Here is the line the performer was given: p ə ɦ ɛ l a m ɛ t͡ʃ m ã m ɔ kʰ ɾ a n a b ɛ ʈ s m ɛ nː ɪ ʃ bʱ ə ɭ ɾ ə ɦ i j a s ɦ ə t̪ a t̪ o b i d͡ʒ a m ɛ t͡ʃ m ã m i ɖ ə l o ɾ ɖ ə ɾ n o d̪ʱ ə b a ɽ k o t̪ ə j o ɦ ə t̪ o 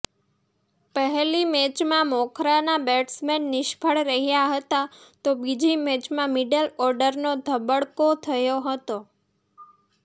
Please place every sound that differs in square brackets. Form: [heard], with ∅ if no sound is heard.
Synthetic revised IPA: p ə ɦ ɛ l [i] m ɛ t͡ʃ m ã m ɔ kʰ ɾ a n a b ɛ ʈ s m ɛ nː ɪ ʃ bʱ ə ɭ ɾ ə ɦ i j a [∅] ɦ ə t̪ a t̪ o b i d͡ʒ [i] m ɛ t͡ʃ m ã m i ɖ ə l [ɔ] ɾ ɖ ə ɾ n o d̪ʱ ə b [ə] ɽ k o [t̪ʰ] ə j o ɦ ə t̪ o

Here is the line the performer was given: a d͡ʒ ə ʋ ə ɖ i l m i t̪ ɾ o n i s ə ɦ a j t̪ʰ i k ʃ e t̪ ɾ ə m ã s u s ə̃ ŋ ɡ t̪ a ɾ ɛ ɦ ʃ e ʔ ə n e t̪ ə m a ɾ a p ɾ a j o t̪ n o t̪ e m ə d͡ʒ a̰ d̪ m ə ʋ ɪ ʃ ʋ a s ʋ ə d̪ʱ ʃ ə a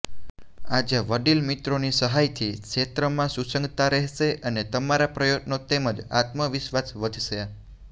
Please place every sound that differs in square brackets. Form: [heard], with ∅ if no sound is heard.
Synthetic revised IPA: a d͡ʒ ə ʋ ə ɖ i l m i t̪ ɾ o n i s ə ɦ a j t̪ʰ i k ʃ e t̪ ɾ ə m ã s u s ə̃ ŋ ɡ t̪ a ɾ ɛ ɦ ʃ e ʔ ə n e t̪ ə m a ɾ a p ɾ [ə] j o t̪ n o t̪ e m ə d͡ʒ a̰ [t̪] m ə ʋ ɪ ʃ ʋ a s ʋ ə d̪ʱ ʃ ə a

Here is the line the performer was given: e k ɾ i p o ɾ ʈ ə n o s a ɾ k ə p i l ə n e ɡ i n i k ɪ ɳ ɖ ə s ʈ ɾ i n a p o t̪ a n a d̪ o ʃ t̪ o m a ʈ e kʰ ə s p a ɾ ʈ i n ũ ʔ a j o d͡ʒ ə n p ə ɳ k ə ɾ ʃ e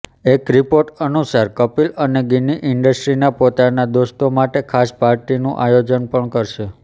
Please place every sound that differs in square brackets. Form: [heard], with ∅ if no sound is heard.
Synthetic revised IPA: e k ɾ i p o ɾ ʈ ə n [u] s a ɾ k ə p i l ə n e ɡ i n i [ʔ] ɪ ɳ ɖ ə s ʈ ɾ i n a p o t̪ a n a d̪ o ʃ t̪ o m a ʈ e kʰ [a] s p a ɾ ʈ i n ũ ʔ a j o d͡ʒ ə n p ə ɳ k ə ɾ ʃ e

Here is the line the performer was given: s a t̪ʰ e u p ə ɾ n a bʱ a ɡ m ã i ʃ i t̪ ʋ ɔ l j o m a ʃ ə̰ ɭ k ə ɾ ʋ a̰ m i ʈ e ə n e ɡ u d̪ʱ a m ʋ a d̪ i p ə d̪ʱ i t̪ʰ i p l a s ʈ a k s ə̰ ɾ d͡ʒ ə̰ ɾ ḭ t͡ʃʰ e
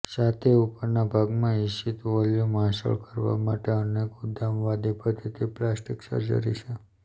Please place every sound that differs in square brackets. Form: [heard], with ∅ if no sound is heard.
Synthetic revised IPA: s a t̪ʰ e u p ə ɾ n a bʱ a ɡ m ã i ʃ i t̪ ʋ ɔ l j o m a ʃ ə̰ ɭ k ə ɾ ʋ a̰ m [a] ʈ e ə n e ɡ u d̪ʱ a m ʋ a d̪ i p ə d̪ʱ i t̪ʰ i p l a s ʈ [i] k s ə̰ ɾ d͡ʒ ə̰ ɾ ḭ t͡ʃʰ e

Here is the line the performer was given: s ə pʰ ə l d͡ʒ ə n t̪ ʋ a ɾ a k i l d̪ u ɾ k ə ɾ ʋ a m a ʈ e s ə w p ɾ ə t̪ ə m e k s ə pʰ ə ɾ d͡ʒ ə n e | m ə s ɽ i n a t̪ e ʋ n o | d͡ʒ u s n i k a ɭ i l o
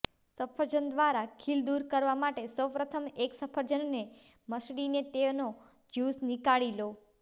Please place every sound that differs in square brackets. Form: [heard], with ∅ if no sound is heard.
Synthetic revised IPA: s ə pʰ ə [ɾ] d͡ʒ ə n [d̪] ʋ a ɾ a [kʰ] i l d̪ u ɾ k ə ɾ ʋ a m a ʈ e s ə w p ɾ ə [t̪ʰ] ə m e k s ə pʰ ə ɾ d͡ʒ ə [nː] e | m ə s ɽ i n [e] t̪ e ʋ n o | d͡ʒ u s n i k a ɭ i l o

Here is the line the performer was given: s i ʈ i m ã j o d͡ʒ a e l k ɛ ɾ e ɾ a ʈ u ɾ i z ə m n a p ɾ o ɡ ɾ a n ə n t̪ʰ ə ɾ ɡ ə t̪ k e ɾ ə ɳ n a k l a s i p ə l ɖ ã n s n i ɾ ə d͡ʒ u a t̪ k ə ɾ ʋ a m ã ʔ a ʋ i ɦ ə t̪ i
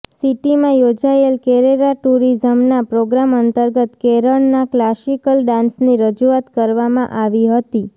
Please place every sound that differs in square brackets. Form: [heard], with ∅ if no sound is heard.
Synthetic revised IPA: s i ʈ i m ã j o d͡ʒ a e l k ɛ ɾ e ɾ a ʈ u ɾ i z ə m n a p ɾ o ɡ ɾ a [m] ə n [t̪] ə ɾ ɡ ə t̪ k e ɾ ə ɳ n a k l a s i [k] ə l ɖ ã n s n i ɾ ə d͡ʒ u a t̪ k ə ɾ ʋ a m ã ʔ a ʋ i ɦ ə t̪ i

